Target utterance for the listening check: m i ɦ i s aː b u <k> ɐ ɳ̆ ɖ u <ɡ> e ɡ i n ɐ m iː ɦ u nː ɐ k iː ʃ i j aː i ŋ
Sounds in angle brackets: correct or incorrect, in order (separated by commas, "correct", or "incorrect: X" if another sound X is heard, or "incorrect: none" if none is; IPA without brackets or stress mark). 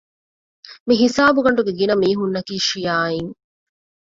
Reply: incorrect: ɡ, correct